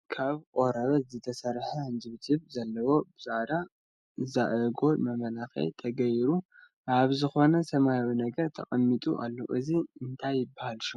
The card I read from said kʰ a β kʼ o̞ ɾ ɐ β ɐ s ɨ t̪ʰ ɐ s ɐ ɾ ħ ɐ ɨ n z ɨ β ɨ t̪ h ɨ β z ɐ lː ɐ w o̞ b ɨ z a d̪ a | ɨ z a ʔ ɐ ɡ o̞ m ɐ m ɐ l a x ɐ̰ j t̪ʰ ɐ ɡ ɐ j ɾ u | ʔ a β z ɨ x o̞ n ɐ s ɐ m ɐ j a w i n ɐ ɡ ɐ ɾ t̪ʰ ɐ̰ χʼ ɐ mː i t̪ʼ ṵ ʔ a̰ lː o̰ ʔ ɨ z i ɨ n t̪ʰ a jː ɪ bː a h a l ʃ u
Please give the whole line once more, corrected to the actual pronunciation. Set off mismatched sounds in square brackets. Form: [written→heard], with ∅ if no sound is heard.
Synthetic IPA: kʰ a β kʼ o̞ ɾ ɐ β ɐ [s→z] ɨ t̪ʰ ɐ s ɐ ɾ ħ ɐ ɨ n z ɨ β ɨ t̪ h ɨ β z ɐ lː ɐ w o̞ b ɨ z a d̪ a | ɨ z a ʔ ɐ ɡ o̞ m ɐ m ɐ l a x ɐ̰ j t̪ʰ ɐ ɡ ɐ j ɾ u | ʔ a β z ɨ x o̞ n ɐ s ɐ m [ɐ→a] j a w i n ɐ ɡ ɐ ɾ t̪ʰ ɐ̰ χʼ ɐ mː i t̪ʼ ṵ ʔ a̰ lː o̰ ʔ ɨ z i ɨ n t̪ʰ a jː ɪ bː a h a l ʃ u

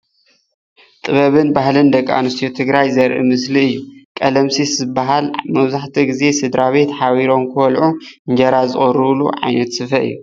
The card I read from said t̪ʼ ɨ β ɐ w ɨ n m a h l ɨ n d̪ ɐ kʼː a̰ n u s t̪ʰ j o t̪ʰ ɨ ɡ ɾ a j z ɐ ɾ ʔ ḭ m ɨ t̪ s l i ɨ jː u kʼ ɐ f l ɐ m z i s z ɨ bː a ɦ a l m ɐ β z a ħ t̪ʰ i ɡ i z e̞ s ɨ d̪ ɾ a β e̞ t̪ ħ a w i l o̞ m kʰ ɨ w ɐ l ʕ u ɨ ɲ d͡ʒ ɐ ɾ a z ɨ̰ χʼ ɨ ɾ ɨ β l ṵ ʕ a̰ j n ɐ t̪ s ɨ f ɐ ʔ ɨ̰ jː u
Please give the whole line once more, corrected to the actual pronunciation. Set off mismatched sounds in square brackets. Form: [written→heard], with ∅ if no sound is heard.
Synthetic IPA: t̪ʼ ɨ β ɐ [w→β] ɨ n [m→b] a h l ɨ n d̪ ɐ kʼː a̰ n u s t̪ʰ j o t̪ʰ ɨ ɡ ɾ a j z ɐ ɾ ʔ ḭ m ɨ [t̪→∅] s l i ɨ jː u kʼ ɐ [f→∅] l ɐ m [z→s] i s z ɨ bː a ɦ a l m ɐ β z a ħ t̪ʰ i ɡ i z e̞ s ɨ d̪ ɾ a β e̞ t̪ ħ a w i [l→ɾ] o̞ m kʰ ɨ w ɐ l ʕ u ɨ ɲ d͡ʒ ɐ ɾ a z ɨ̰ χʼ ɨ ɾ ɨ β l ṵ ʕ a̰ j n ɐ t̪ s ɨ f ɐ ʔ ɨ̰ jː u

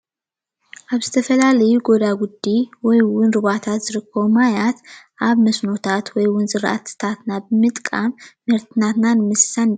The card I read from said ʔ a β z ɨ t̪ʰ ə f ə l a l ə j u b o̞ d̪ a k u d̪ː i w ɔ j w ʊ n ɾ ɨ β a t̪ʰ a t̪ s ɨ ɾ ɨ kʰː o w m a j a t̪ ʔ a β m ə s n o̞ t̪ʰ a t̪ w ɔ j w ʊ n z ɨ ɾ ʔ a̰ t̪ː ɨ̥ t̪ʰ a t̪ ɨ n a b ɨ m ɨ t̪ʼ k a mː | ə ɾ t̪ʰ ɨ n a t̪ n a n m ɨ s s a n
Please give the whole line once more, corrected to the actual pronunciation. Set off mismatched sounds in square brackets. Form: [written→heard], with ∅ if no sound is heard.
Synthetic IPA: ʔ a β z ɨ t̪ʰ ə f ə l a l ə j u [b→ɡ] o̞ d̪ a [k→ɡ] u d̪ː i w ɔ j w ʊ n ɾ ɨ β a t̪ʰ a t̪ [s→z] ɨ ɾ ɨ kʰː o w m a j a t̪ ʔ a β m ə s n o̞ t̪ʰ a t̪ w ɔ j w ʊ n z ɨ ɾ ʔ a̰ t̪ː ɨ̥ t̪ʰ a t̪ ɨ n a b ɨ m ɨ t̪ʼ [k→kʼ] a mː | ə ɾ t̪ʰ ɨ n a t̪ n a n m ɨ s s a n

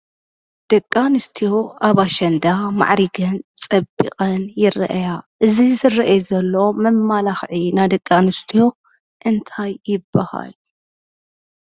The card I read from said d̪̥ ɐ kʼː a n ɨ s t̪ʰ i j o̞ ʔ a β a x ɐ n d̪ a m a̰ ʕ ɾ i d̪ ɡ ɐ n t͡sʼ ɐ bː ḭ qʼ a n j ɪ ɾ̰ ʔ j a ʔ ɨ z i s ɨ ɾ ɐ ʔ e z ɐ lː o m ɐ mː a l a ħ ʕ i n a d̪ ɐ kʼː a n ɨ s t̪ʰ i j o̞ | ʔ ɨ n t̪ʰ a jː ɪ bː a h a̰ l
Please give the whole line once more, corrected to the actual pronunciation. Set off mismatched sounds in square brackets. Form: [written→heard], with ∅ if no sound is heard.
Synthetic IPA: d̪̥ ɐ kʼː a n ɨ s t̪ʰ i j o̞ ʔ a β a [x→ʃ] ɐ n d̪ a m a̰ ʕ ɾ i [d̪→∅] ɡ ɐ n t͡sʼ ɐ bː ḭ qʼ [a→ɐ] n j ɪ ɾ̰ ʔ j a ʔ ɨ z i [s→z] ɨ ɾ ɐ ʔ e z ɐ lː o m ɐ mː a l a [ħ→x] ʕ i n a d̪ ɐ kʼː a n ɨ s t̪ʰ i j o̞ | ʔ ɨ n t̪ʰ a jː ɪ bː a h a̰ l

